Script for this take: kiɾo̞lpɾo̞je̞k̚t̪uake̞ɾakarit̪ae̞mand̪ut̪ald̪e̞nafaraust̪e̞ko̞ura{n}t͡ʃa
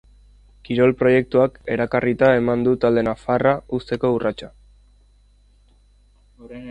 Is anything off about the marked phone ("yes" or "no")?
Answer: yes